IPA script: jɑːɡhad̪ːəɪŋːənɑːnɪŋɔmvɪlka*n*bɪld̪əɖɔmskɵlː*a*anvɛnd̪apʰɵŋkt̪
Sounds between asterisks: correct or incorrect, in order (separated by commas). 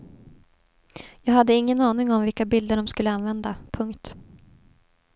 incorrect, incorrect